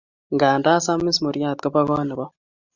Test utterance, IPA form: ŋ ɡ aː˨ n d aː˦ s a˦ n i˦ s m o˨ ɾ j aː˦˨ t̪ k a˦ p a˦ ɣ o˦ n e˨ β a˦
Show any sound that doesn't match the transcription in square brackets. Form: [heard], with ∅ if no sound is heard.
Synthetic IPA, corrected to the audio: ŋ ɡ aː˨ n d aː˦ s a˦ [m] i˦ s m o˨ ɾ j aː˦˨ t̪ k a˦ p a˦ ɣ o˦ n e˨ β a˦